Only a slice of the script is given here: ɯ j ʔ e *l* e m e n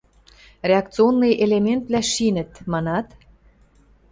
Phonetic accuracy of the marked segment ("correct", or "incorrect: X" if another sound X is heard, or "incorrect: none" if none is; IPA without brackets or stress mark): correct